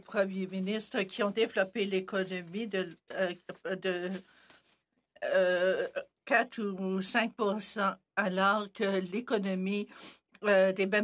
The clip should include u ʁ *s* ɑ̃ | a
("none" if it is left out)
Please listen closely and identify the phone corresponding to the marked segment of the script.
s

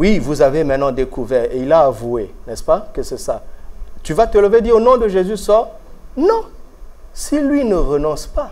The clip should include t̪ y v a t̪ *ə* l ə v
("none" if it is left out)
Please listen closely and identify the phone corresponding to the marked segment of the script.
ə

